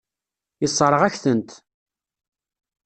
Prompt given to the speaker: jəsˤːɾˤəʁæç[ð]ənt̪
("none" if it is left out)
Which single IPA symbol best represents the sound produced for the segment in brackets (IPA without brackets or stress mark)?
θ